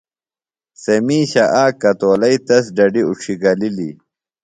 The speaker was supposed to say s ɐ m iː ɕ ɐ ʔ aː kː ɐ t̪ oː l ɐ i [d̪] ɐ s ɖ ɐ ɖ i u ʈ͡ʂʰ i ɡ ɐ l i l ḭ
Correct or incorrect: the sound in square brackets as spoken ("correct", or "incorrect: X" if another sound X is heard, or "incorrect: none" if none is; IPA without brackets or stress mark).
incorrect: t̪